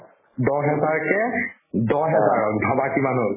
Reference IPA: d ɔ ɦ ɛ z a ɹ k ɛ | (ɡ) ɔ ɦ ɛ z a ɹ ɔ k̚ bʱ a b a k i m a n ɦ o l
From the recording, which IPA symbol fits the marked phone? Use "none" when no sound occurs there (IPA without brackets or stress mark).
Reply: d